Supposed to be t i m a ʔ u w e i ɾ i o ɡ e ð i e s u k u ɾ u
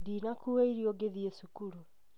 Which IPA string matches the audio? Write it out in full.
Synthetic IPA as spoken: d i n a k u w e i ɾ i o ɡ e ð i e s u k u ɾ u